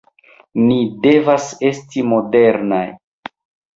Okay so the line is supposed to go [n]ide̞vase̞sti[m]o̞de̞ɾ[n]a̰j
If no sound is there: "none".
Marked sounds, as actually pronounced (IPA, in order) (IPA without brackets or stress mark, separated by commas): n, m, n